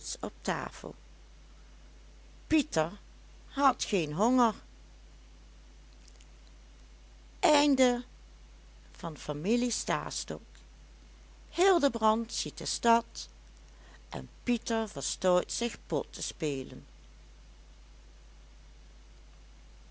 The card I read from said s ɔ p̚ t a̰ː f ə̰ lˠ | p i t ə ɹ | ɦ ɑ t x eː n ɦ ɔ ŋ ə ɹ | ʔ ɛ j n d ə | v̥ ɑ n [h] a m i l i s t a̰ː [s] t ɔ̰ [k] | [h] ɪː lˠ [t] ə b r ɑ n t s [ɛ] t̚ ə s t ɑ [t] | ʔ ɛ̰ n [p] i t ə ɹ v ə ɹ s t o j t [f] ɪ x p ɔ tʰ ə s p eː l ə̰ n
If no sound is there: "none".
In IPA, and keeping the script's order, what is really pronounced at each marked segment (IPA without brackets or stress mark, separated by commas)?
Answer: f, s, k, h, d, i, t, p, s